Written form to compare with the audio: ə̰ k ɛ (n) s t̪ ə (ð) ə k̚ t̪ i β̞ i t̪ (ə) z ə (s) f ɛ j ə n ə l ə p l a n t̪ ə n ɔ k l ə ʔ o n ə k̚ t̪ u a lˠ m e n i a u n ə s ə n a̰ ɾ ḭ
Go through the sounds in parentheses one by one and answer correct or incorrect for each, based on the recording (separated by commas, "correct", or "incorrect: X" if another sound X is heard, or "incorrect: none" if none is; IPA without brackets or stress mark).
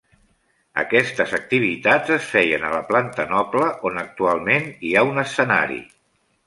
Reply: incorrect: none, incorrect: z, incorrect: a, correct